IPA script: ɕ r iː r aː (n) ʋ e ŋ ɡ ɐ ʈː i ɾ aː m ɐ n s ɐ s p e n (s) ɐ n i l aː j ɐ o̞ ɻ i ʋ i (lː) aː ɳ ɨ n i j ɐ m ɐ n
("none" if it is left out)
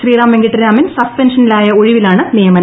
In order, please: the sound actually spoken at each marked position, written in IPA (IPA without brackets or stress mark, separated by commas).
m, ʂ, l